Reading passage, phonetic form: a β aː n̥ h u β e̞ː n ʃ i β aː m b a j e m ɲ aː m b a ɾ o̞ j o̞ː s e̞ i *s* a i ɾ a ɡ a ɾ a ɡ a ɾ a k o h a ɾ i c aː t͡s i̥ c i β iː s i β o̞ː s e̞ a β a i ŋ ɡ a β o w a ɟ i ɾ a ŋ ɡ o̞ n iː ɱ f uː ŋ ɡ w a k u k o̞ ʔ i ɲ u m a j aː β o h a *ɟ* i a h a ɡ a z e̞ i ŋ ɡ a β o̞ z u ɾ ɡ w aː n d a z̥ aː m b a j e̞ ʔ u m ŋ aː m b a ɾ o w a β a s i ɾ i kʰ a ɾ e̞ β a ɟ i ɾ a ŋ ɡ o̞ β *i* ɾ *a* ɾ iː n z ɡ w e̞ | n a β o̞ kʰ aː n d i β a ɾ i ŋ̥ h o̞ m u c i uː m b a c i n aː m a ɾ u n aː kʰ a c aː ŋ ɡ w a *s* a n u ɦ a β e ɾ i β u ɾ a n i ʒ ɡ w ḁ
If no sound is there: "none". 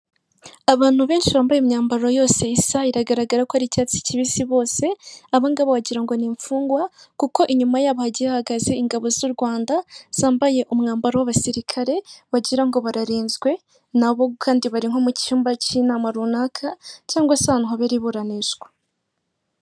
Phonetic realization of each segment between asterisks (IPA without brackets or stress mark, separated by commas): s, ɟ, a, a, s